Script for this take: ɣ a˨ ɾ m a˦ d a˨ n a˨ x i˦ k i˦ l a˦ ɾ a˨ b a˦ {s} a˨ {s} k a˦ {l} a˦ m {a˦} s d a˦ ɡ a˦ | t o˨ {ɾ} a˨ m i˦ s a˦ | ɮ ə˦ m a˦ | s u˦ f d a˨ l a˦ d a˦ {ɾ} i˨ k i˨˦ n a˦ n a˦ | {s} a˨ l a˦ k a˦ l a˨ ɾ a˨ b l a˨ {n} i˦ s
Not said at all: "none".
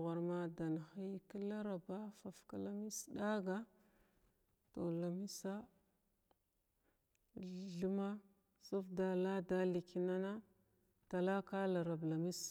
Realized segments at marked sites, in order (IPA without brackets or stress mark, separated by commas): f, f, l, i˦, l, l, t, m